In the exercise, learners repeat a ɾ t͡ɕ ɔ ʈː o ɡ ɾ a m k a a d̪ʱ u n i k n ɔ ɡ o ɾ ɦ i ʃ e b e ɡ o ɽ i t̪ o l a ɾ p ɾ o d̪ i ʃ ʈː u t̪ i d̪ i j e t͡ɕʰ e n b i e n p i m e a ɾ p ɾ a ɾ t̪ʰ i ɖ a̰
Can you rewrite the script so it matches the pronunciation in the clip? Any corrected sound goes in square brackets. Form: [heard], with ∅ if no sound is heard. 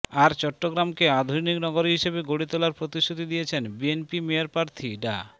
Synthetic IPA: a ɾ t͡ɕ ɔ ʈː o ɡ ɾ a m k [e] a d̪ʱ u n i k n ɔ ɡ o ɾ ɦ i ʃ e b e ɡ o ɽ i t̪ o l a ɾ p ɾ o [t̪] i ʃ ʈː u t̪ i d̪ i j e t͡ɕʰ e n b i e n p i m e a ɾ p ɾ a ɾ t̪ʰ i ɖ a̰